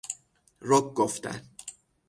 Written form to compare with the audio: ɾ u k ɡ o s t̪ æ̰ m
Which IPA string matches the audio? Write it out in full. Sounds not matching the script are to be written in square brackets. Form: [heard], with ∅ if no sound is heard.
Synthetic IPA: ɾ [o] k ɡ o [f] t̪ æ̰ [n]